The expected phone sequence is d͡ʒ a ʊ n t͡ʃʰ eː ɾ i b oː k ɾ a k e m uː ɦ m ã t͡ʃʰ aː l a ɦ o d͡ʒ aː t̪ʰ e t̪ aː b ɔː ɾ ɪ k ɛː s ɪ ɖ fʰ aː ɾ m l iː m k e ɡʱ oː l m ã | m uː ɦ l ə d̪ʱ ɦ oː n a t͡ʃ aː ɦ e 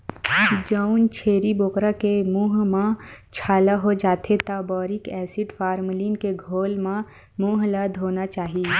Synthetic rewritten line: d͡ʒ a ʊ n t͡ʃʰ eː ɾ i b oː k ɾ a k e m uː ɦ m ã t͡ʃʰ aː l a ɦ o d͡ʒ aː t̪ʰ e t̪ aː b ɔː ɾ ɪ k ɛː s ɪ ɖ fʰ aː ɾ m l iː n k e ɡʱ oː l m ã | m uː ɦ l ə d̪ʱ ɦ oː n a t͡ʃ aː ɦ i

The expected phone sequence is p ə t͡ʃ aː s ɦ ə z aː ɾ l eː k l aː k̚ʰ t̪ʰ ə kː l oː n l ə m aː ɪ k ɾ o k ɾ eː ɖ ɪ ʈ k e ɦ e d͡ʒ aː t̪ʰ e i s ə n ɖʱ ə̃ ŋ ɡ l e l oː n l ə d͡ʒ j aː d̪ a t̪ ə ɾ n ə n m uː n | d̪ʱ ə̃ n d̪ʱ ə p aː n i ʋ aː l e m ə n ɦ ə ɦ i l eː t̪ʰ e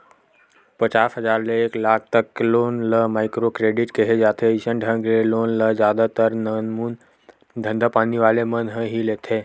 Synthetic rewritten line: p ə t͡ʃ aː s ɦ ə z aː ɾ l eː k l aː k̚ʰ t̪ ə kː l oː n l ə m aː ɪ k ɾ o k ɾ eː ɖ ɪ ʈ k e ɦ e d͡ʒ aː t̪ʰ e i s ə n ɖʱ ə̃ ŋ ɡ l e l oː n l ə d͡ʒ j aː d̪ a t̪ ə ɾ n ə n m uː n | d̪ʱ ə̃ n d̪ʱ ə p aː n i ʋ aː l e m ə n ɦ ə ɦ i l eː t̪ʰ e

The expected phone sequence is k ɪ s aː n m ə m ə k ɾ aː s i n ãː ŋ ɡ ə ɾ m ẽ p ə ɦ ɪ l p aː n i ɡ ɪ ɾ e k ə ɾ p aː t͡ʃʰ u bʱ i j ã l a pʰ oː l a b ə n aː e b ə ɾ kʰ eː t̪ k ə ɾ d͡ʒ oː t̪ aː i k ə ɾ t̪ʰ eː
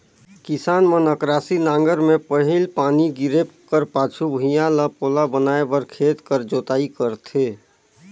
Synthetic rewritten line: k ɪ s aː n m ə n ə k ɾ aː s i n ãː ŋ ɡ ə ɾ m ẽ p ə ɦ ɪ l p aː n i ɡ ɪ ɾ e k ə ɾ p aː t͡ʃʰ u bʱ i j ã l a p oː l a b ə n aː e b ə ɾ kʰ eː t̪ k ə ɾ d͡ʒ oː t̪ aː i k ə ɾ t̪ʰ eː

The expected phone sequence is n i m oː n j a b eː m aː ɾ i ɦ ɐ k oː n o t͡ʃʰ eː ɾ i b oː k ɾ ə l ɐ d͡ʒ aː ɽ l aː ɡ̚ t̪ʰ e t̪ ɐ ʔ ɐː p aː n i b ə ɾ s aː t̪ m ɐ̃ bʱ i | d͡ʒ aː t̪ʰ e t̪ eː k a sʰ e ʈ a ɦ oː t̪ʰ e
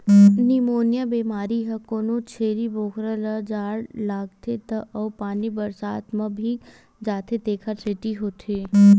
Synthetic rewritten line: n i m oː n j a b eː m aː ɾ i ɦ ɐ k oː n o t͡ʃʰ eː ɾ i b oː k ɾ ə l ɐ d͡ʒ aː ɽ l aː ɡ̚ t̪ʰ e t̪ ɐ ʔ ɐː p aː n i b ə ɾ s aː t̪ m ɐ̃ bʱ i | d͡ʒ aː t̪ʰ e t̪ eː kʰ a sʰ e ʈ i ɦ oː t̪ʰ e

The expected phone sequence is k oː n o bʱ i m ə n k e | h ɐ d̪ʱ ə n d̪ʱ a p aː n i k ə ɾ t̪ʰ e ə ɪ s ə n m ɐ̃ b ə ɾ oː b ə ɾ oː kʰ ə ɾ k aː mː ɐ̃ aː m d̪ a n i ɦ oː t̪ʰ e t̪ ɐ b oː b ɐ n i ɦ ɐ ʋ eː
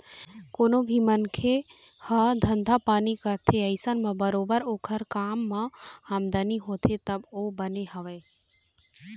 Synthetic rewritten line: k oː n o bʱ i m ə n kʰ e | h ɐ d̪ʱ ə n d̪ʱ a p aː n i k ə ɾ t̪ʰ e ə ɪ s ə n m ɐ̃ b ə ɾ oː b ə ɾ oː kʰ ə ɾ k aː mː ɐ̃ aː m d̪ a n i ɦ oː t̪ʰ e t̪ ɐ b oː b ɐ n e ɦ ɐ ʋ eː

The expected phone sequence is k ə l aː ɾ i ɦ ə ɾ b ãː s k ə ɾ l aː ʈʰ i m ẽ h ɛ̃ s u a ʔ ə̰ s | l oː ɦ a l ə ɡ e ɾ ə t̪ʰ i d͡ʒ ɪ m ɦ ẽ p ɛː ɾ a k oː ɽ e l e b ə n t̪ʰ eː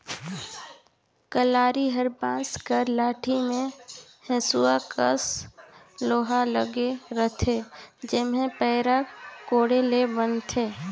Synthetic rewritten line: k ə l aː ɾ i ɦ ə ɾ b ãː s k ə ɾ l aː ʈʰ i m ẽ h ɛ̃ s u a k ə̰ s | l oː ɦ a l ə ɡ e ɾ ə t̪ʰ e d͡ʒ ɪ m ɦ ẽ p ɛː ɾ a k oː ɽ e l e b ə n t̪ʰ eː

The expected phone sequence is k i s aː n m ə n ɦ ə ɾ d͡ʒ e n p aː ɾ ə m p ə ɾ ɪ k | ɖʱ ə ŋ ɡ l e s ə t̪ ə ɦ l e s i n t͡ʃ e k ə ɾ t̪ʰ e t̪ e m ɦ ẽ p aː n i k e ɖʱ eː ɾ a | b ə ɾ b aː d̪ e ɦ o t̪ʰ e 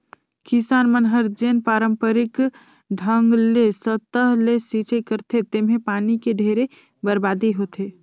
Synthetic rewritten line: k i s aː n m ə n ɦ ə ɾ d͡ʒ e n p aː ɾ ə m p ə ɾ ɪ k | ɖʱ ə ŋ ɡ l e s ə t̪ ə ɦ l e s i t͡ʃ e k ə ɾ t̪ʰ e t̪ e m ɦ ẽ p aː n i k e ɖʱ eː ɾ e | b ə ɾ b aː d̪ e ɦ o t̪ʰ e

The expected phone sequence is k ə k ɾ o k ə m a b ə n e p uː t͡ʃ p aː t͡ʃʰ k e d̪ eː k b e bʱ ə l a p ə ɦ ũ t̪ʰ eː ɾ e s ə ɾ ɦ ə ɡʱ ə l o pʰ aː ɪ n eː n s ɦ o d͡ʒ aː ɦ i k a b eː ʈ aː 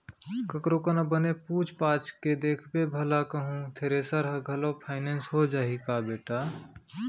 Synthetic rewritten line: k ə k ɾ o k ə n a b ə n e p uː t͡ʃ p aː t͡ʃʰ k e d̪ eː kʰ b e bʱ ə l a k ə ɦ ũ t̪ʰ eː ɾ e s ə ɾ ɦ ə ɡʱ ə l o pʰ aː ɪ n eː n s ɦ o d͡ʒ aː ɦ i k a b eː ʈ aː

